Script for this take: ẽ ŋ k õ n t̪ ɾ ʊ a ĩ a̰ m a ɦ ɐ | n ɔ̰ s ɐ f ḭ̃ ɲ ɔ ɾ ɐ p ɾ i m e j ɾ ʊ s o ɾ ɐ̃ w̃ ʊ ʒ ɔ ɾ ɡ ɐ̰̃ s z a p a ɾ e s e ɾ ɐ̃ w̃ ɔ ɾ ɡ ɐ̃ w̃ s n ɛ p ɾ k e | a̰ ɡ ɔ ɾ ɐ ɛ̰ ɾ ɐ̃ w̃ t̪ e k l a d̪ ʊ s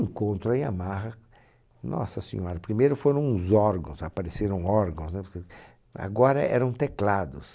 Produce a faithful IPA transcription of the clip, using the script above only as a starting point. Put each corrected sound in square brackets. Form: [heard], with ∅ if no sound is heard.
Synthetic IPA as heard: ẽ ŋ k õ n t̪ ɾ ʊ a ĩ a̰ m a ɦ ɐ | n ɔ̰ s ɐ [s] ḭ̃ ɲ ɔ ɾ ɐ p ɾ i m e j ɾ ʊ [f] o ɾ ɐ̃ w̃ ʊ [z] ɔ ɾ ɡ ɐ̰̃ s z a p a ɾ e s e ɾ ɐ̃ w̃ ɔ ɾ ɡ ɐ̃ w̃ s n ɛ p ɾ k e | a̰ ɡ ɔ ɾ ɐ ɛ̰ ɾ ɐ̃ w̃ t̪ e k l a d̪ ʊ s